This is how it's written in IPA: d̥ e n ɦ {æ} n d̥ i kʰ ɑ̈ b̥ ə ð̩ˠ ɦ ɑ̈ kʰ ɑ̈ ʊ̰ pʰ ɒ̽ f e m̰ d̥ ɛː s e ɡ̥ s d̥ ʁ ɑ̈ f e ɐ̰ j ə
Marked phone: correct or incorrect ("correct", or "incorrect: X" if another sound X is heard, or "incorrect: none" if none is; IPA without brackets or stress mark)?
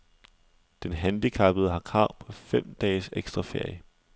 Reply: correct